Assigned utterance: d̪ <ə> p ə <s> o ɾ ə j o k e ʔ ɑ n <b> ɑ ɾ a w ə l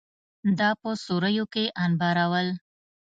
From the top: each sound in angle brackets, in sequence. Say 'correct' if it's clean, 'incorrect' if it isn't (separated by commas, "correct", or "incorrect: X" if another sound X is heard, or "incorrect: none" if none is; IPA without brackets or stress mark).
incorrect: ɑ, correct, correct